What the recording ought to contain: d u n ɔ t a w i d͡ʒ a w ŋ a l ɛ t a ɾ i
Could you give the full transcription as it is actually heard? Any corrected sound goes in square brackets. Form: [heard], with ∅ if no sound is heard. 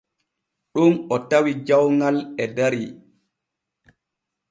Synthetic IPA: [ɗ] u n ɔ t a w i d͡ʒ a w ŋ a l ɛ [d] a ɾ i